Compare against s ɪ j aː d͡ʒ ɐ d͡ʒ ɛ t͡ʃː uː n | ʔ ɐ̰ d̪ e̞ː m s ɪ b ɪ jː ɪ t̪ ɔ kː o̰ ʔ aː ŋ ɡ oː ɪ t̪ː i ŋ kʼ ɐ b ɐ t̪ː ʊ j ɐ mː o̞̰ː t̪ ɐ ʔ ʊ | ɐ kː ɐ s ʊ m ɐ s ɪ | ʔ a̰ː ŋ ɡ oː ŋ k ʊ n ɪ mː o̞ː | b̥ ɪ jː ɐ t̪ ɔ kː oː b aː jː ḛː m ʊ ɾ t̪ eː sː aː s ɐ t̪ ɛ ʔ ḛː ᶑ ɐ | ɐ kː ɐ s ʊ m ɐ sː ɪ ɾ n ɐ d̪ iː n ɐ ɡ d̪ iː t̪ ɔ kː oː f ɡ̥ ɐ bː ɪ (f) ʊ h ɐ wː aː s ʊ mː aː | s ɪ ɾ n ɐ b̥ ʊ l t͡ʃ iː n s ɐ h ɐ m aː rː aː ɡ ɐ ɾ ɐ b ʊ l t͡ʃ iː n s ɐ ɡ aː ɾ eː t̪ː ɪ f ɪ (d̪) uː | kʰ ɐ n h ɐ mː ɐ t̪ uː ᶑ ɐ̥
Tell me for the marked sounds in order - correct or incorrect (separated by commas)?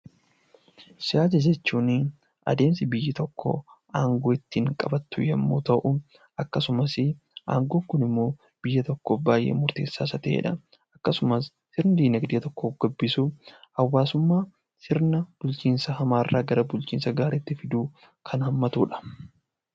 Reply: incorrect, correct